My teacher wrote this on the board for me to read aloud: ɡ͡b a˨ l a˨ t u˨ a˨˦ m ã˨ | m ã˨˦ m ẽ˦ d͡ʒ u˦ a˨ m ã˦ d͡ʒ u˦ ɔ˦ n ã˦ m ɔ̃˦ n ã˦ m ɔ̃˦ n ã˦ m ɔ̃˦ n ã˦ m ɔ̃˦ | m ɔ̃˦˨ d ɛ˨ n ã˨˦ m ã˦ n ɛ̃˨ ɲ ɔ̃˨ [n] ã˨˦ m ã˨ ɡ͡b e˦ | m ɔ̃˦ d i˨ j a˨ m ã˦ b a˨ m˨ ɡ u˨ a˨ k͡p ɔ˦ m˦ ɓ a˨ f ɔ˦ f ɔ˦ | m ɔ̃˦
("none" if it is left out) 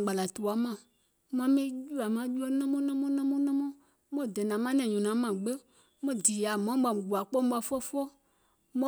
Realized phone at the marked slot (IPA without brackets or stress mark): n